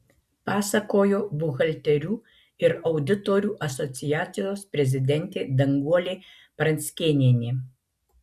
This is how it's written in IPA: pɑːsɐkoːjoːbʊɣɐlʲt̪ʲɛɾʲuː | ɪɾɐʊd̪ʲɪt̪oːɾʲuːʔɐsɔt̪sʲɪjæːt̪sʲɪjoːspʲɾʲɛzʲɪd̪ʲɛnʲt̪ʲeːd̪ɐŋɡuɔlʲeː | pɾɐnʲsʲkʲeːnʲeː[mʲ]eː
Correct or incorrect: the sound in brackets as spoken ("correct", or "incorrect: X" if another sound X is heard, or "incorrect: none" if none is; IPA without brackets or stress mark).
incorrect: nʲ